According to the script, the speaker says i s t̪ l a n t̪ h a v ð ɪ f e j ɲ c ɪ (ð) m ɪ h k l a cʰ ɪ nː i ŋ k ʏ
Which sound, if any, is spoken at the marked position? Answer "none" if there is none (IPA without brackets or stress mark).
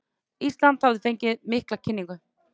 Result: ð